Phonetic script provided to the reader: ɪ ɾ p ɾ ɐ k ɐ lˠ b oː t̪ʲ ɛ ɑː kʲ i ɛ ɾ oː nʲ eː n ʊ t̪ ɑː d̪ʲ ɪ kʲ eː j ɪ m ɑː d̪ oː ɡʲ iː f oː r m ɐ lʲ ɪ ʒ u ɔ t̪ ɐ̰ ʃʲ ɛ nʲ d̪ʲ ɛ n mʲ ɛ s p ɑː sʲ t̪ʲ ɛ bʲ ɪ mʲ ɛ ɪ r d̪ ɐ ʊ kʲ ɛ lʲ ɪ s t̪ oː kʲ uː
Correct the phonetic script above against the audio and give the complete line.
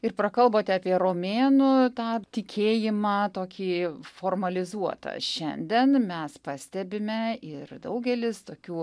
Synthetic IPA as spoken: ɪ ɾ p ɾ ɐ k ɐ lˠ b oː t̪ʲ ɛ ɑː pʲ i ɛ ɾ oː mʲ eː n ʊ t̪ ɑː t̪ʲ ɪ kʲ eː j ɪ m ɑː t̪ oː kʲ iː f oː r m ɐ lʲ ɪ z u ɔ t̪ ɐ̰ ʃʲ ɛ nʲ d̪ʲ ɛ n mʲ ɛ s p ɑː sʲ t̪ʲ ɛ bʲ ɪ mʲ ɛ ɪ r d̪ ɐ ʊ ɡʲ ɛ lʲ ɪ s t̪ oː kʲ uː